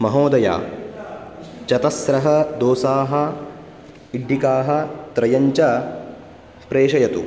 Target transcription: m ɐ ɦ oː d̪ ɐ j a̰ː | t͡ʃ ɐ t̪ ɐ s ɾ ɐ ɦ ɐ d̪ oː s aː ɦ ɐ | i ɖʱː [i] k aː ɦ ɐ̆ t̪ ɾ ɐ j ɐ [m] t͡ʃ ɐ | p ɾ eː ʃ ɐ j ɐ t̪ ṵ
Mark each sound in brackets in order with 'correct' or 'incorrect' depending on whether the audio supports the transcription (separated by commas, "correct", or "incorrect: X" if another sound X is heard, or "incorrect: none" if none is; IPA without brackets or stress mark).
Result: correct, incorrect: ɲ